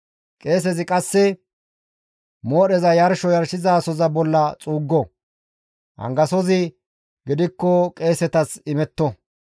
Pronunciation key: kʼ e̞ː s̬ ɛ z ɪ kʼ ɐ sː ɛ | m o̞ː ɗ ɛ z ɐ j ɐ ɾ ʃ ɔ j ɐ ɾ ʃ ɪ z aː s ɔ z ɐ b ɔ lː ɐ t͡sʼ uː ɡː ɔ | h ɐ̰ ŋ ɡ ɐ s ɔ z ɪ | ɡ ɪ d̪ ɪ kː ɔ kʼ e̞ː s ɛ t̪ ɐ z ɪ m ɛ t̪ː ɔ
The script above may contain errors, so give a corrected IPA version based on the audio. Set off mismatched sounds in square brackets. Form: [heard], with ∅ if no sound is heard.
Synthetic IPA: kʼ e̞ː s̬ ɛ z ɪ kʼ ɐ sː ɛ | m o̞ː ɗ ɛ z ɐ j ɐ ɾ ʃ ɔ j ɐ ɾ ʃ ɪ z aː s ɔ z ɐ b ɔ lː ɐ t͡sʼ uː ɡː ɔ | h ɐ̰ ŋ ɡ ɐ s ɔ z ɪ | ɡ ɪ d̪ ɪ kː ɔ kʼ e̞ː s ɛ t̪ ɐ [s] ɪ m ɛ t̪ː ɔ